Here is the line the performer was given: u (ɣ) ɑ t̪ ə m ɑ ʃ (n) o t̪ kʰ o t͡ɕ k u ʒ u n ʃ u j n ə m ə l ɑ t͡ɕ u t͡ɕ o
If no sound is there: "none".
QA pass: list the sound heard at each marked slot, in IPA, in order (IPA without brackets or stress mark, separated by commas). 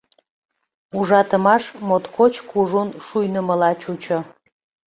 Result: ʒ, m